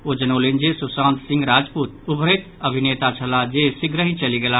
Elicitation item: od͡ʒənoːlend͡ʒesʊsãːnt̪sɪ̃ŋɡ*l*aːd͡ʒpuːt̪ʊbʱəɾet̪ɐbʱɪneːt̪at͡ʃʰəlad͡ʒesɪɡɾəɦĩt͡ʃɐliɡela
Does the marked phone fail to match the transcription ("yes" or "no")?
yes